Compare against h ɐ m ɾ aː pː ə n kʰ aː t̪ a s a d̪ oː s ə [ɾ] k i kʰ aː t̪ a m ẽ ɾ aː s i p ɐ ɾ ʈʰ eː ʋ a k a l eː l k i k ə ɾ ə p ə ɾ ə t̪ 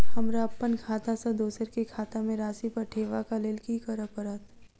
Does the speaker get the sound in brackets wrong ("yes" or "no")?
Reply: no